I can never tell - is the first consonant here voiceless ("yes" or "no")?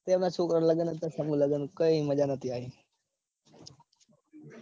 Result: yes